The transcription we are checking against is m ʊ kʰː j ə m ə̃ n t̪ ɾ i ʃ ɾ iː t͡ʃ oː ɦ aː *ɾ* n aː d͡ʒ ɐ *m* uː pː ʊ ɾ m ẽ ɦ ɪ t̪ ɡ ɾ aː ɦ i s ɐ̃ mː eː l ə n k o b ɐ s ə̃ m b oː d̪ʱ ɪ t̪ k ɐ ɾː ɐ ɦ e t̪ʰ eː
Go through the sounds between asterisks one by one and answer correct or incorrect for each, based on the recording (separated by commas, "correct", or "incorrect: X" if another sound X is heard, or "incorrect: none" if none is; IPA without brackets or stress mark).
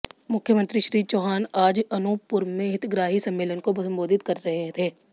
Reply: incorrect: none, incorrect: n